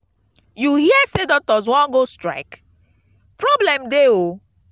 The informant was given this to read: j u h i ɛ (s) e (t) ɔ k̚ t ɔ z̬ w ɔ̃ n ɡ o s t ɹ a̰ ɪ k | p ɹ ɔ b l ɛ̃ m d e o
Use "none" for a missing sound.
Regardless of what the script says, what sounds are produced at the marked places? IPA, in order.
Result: s, d

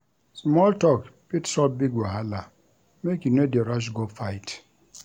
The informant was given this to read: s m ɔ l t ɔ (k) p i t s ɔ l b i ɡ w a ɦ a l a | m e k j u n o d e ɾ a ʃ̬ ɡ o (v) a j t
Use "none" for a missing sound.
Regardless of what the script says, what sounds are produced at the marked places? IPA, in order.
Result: k, f

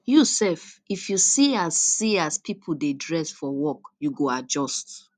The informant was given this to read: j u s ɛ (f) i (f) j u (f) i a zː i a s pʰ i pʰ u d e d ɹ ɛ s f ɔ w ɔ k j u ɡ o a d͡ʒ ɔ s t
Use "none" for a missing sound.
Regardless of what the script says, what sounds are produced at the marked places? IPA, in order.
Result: f, f, s

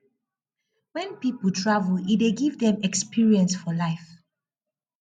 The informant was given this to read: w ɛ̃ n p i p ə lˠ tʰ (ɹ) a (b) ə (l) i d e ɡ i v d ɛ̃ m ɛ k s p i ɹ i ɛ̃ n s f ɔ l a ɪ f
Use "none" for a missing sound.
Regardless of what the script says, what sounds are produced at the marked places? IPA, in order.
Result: ɹ, v, l

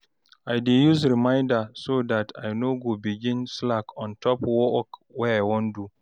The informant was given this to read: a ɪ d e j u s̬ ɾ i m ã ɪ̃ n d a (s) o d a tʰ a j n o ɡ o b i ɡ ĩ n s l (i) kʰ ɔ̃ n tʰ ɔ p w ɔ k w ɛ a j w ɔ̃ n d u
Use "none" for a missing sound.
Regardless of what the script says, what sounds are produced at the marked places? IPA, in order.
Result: s, a

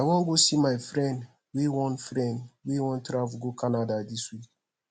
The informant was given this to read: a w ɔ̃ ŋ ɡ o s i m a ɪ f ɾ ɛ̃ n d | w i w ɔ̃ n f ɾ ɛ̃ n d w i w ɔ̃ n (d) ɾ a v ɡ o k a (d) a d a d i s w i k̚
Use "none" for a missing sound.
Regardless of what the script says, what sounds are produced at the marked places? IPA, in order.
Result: t, n

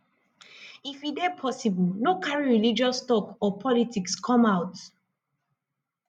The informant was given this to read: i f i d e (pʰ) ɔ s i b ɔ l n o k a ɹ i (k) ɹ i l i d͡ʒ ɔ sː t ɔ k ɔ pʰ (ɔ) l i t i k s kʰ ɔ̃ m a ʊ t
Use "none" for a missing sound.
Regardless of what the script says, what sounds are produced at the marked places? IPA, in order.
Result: pʰ, none, ɔ

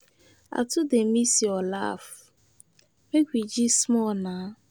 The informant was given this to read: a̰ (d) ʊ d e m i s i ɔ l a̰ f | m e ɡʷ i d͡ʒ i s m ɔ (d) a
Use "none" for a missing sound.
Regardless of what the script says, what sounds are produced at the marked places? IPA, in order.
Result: t, n

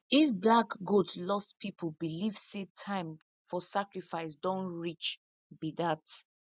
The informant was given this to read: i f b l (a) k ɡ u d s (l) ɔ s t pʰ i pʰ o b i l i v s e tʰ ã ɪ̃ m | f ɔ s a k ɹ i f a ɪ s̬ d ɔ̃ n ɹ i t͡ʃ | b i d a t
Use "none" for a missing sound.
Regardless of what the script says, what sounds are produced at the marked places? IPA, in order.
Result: a, l

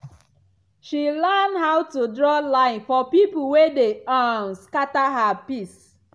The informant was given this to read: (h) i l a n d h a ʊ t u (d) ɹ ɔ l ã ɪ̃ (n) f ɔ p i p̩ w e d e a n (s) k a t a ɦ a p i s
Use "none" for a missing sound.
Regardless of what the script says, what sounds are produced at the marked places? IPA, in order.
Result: ʃ, d, n, s

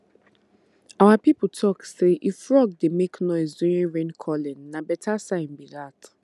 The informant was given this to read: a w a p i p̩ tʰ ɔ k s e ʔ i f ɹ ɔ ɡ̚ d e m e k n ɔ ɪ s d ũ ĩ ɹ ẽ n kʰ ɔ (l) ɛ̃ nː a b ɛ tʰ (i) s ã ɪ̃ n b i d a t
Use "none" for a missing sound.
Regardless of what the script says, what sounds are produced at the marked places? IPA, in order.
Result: l, a

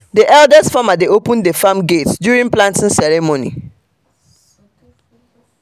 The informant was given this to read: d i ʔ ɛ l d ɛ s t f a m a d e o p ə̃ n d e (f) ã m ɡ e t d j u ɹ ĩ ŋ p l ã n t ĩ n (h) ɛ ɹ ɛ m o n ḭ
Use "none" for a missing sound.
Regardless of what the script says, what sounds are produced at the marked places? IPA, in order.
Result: f, s

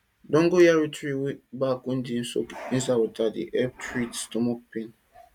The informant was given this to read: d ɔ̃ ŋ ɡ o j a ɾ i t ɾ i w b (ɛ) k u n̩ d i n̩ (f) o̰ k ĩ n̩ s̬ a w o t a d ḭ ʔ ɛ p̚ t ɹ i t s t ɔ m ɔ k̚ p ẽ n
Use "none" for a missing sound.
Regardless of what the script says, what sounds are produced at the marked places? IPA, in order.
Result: a, s

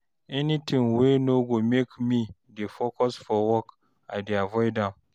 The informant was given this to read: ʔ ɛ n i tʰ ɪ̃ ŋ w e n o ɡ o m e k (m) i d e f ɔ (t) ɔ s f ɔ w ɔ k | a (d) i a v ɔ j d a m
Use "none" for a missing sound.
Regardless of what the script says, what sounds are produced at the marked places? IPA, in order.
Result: m, k, d

